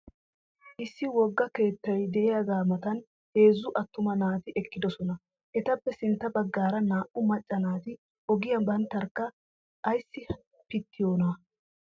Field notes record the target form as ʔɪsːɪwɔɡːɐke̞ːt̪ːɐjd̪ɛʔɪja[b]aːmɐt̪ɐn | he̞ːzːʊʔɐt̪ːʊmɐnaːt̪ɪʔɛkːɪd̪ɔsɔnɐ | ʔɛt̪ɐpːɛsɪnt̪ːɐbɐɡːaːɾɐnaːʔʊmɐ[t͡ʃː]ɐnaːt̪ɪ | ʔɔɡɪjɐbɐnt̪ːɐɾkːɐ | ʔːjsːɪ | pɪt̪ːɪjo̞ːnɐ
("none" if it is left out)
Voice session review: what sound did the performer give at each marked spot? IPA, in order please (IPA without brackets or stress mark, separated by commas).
ɡ, t͡ʃʼː